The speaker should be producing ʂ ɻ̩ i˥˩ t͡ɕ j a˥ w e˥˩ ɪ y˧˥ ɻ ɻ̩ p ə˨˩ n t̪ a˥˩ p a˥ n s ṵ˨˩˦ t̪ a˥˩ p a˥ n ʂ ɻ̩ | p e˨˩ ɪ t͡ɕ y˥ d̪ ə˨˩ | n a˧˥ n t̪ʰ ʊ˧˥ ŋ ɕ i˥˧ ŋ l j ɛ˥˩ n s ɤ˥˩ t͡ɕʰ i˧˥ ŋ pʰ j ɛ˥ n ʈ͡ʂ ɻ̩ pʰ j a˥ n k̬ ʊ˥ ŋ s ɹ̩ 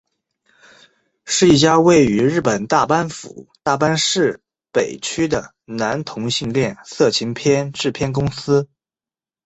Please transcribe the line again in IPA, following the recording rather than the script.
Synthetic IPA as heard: ʂ ɻ̩ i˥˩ t͡ɕ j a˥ w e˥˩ ɪ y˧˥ ɻ ɻ̩ p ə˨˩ n t̪ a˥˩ p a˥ n f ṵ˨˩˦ t̪ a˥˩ p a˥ n ʂ ɻ̩ | p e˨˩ ɪ t͡ɕʰ y˥ d̪ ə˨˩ | n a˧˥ n t̪ʰ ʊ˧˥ ŋ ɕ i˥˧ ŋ l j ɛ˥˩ n s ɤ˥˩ t͡ɕʰ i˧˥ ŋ pʰ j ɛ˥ n ʈ͡ʂ ɻ̩ pʰ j ɛ˥ n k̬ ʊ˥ ŋ s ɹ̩

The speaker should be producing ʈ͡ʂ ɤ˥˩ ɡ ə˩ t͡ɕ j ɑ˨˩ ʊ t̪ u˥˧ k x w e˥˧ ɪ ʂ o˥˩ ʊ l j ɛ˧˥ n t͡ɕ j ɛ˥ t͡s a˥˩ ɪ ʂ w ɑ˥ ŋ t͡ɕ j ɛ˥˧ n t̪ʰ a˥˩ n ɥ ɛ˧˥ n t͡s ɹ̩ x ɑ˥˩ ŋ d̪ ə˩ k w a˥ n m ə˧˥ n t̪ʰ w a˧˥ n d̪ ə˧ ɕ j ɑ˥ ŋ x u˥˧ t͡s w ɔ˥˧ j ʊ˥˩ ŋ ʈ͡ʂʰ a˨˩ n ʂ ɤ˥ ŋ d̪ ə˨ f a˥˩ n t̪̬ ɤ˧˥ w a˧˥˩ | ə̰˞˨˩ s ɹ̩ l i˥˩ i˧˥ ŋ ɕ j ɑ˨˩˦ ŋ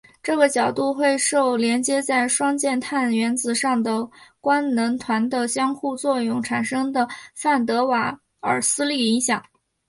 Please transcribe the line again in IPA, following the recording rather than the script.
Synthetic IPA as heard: ʈ͡ʂ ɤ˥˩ ɡ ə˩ t͡ɕ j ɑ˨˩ ʊ t̪ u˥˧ x w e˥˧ ɪ ʂ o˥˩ ʊ l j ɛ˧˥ n t͡ɕ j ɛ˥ t͡s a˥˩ ɪ ʂ w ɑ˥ ŋ t͡ɕ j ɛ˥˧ n t̪ʰ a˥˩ n ɥ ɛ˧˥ n t͡s ɹ̩ ʂ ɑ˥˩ ŋ d̪ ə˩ k w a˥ n n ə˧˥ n t̪ʰ w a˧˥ n d̪ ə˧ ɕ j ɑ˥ ŋ x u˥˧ t͡s w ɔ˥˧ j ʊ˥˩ ŋ ʈ͡ʂʰ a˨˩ n ʂ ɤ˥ ŋ d̪ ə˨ f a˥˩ n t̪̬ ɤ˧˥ w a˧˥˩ | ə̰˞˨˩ s ɹ̩ l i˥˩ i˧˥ ŋ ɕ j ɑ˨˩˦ ŋ

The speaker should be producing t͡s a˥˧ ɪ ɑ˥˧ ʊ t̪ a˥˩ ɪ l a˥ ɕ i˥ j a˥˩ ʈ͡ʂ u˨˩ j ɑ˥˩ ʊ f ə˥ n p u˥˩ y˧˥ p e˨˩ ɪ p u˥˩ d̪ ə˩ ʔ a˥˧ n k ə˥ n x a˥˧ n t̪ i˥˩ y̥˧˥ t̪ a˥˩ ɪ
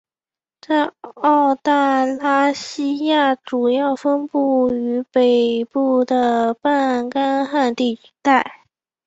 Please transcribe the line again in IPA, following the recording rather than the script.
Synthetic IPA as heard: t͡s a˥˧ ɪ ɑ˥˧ ʊ t̪ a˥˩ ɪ l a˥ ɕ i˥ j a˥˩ ʈ͡ʂ u˨˩ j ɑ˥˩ ʊ f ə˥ n p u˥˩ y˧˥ p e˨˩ ɪ p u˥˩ d̪ ə˩ p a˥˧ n k a˥ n x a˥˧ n t̪ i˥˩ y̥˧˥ t̪ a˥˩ ɪ

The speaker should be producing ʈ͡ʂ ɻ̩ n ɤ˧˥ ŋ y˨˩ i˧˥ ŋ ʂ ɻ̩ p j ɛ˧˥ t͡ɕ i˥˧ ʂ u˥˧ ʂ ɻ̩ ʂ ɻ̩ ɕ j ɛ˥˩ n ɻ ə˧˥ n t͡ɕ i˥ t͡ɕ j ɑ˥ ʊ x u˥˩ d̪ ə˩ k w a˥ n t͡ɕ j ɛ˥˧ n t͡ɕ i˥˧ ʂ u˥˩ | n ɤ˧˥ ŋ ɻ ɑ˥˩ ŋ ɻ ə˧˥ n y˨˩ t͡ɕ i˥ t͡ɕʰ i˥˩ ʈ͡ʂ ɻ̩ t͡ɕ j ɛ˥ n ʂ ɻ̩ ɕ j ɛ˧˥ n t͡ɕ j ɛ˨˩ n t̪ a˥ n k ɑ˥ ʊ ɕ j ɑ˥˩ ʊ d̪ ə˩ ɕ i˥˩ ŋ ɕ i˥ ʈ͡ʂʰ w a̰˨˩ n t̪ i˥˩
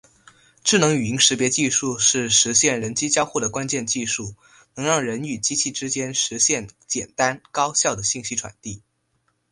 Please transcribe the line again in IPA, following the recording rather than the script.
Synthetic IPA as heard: ʈ͡ʂ ɻ̩ n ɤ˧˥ ŋ y˨˩ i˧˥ ŋ ʂ ɻ̩ p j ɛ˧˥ t͡ɕ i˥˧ ʂ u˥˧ ʂ ɻ̩ ʂ ɻ̩ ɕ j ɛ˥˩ n ɻ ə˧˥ n t͡ɕ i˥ t͡ɕ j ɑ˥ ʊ x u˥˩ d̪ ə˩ k w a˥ n t͡ɕ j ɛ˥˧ n t͡ɕ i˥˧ ʂ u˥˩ | n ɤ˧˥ ŋ ɻ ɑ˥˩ ŋ ɻ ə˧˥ n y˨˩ t͡ɕ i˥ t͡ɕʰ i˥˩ ʈ͡ʂ ɻ̩ t͡ɕ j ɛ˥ n ʂ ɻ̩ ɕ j ɛ˥˩ n t͡ɕ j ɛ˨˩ n t̪ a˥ n k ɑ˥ ʊ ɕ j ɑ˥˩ ʊ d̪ ə˩ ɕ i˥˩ ŋ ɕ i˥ ʈ͡ʂʰ w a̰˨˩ n t̪ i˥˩

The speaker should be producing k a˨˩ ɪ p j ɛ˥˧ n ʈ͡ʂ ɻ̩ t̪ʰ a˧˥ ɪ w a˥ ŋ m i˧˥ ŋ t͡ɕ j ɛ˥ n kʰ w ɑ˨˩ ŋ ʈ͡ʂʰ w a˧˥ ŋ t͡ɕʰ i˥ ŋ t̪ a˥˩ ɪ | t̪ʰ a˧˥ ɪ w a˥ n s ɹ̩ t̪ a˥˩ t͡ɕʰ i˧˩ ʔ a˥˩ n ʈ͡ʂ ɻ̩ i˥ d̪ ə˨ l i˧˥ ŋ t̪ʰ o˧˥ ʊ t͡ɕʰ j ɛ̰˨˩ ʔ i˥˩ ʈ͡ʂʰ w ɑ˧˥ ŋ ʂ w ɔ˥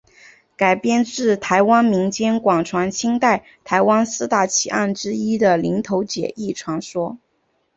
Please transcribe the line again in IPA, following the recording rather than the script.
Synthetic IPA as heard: k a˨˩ ɪ p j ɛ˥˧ n ʈ͡ʂ ɻ̩ t̪ʰ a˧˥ ɪ w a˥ n m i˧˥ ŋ t͡ɕ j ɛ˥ n k w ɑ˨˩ ŋ ʈ͡ʂʰ w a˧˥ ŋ t͡ɕʰ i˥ ŋ t̪ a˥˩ ɪ | t̪ʰ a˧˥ ɪ w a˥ n s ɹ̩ t̪ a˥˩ t͡ɕʰ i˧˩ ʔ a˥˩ n ʈ͡ʂ ɻ̩ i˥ d̪ ə˨ l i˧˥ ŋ t̪ʰ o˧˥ ʊ t͡ɕ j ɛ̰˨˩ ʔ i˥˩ ʈ͡ʂʰ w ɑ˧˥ ŋ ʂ w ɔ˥

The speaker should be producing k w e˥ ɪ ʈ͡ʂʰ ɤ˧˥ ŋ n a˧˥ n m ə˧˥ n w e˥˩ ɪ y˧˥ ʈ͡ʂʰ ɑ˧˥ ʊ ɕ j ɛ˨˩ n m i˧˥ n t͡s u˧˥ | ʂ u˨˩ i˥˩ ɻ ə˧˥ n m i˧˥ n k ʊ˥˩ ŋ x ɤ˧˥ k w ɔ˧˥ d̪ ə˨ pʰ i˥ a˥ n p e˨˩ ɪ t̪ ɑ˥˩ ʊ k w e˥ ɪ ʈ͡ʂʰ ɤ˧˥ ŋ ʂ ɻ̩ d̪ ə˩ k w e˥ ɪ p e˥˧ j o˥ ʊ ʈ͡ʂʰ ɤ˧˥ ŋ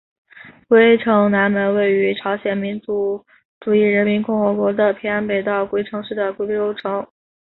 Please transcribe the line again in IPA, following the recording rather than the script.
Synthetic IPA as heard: k w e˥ ɪ ʈ͡ʂʰ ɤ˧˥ ŋ n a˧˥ n m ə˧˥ n w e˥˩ ɪ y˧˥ ʈ͡ʂʰ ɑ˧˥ ʊ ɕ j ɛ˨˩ n m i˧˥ n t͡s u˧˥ | ʈ͡ʂ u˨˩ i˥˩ ɻ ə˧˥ n m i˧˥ n k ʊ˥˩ ŋ x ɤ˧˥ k w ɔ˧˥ d̪ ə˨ pʰ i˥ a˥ n p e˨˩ ɪ t̪ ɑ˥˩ ʊ k w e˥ ɪ ʈ͡ʂʰ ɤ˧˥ ŋ ʂ ɻ̩ d̪ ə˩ k w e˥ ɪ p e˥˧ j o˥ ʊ ʈ͡ʂʰ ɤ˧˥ ŋ

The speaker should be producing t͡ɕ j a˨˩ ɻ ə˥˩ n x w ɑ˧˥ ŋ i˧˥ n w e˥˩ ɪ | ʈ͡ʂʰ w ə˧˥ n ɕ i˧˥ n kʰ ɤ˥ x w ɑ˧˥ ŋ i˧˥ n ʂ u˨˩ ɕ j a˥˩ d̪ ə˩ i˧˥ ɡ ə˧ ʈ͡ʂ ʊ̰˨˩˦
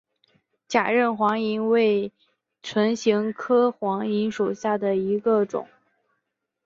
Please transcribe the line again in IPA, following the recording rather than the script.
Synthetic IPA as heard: t͡ɕ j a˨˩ ɻ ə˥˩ n x w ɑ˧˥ ŋ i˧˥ n w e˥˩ ɪ | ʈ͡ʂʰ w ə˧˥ n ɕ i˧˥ ŋ kʰ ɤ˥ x w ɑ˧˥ ŋ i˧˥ n ʂ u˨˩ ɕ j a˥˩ d̪ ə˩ i˧˥ ɡ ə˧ ʈ͡ʂ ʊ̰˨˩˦

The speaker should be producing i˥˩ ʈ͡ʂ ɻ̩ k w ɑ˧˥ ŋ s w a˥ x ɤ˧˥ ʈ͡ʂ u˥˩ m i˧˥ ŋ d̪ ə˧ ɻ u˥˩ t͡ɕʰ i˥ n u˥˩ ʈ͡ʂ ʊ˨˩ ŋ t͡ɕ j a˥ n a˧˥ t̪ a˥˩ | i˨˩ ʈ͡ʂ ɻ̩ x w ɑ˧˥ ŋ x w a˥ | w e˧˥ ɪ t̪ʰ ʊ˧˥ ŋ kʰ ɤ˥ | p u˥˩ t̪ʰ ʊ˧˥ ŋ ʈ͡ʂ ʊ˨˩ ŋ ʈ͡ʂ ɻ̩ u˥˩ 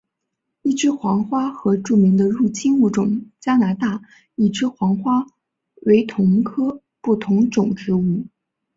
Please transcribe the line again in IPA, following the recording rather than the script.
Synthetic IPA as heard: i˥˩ ʈ͡ʂ ɻ̩ x w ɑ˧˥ ŋ x w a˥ x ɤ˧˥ ʈ͡ʂ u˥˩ m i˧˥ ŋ d̪ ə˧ ɻ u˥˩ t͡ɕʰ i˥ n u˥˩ ʈ͡ʂ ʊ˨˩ ŋ t͡ɕ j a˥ n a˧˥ t̪ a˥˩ | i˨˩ ʈ͡ʂ ɻ̩ x w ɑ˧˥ ŋ x w a˥ | w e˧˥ ɪ t̪ʰ ʊ˧˥ ŋ kʰ ɤ˥ | p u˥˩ t̪ʰ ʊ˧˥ ŋ ʈ͡ʂ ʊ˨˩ ŋ ʈ͡ʂ ɻ̩ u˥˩

